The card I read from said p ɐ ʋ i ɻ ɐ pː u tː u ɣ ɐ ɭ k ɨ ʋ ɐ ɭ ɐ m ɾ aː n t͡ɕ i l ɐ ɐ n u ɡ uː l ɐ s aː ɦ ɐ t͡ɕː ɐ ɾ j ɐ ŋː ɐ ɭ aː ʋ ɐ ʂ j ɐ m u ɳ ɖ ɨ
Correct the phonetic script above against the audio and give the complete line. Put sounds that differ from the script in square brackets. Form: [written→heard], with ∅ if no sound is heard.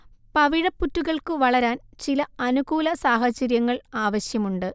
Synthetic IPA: p ɐ ʋ i ɻ ɐ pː u tː u ɣ ɐ ɭ k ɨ ʋ ɐ ɭ ɐ [m→∅] ɾ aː n t͡ɕ i l ɐ ɐ n u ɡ uː l ɐ s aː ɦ ɐ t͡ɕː ɐ ɾ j ɐ ŋː ɐ ɭ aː ʋ ɐ [ʂ→ɕ] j ɐ m u ɳ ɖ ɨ